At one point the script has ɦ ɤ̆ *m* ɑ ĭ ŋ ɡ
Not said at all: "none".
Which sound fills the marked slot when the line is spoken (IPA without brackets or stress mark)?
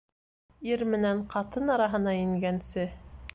n